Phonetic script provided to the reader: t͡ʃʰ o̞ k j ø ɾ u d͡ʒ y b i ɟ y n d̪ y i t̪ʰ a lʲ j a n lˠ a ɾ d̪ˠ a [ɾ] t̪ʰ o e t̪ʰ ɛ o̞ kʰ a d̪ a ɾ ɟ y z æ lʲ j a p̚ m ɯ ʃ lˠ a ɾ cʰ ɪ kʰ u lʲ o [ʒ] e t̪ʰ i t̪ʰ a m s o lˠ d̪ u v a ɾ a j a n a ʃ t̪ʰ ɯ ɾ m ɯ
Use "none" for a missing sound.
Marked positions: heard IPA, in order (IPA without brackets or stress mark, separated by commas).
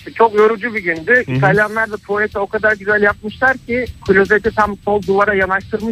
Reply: none, z